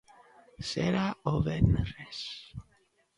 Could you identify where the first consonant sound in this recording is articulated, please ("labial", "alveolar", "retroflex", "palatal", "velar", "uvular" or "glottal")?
alveolar